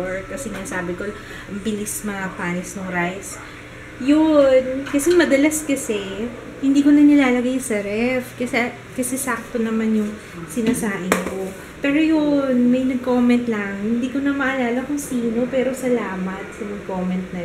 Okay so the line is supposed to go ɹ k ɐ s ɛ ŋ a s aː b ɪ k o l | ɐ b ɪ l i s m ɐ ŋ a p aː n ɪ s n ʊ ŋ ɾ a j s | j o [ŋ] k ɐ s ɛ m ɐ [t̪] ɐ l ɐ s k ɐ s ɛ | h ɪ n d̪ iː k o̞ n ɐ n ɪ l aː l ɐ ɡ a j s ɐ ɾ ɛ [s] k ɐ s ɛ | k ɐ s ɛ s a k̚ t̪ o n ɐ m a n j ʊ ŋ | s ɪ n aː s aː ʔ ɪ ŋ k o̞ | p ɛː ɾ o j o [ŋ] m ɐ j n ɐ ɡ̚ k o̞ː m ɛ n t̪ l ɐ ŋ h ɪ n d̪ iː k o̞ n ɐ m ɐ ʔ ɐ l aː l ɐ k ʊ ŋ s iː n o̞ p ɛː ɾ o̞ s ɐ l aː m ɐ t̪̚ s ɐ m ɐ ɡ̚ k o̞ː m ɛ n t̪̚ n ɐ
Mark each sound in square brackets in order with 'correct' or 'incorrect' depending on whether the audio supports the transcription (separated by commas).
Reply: incorrect, incorrect, incorrect, incorrect